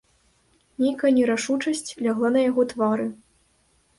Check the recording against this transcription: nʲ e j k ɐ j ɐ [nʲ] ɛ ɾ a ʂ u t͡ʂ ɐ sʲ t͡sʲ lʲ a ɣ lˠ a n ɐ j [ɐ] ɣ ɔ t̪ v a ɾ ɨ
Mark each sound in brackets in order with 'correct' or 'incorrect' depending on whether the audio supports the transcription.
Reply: correct, incorrect

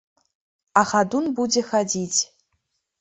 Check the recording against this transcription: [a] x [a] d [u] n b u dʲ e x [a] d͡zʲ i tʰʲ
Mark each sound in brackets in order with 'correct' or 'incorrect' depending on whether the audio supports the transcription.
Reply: correct, correct, correct, correct

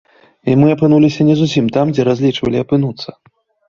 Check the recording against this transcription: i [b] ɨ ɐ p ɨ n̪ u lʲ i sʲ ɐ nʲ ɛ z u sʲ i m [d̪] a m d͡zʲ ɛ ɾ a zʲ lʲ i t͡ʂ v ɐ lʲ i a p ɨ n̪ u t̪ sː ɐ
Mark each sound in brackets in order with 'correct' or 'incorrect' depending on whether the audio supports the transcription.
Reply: incorrect, incorrect

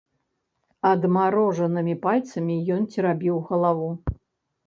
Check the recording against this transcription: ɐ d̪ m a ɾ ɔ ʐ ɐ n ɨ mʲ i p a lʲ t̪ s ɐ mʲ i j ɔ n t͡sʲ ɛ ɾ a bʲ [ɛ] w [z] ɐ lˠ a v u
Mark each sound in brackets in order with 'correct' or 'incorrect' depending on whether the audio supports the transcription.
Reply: incorrect, incorrect

